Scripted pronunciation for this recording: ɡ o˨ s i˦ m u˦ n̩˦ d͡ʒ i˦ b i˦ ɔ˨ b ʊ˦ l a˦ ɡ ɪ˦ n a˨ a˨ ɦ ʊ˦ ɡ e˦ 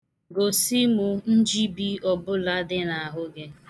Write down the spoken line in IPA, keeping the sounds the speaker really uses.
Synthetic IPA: ɡ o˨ s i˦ m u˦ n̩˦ d͡ʒ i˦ b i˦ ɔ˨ b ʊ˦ l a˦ d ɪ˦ n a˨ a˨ ɦ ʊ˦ ɡ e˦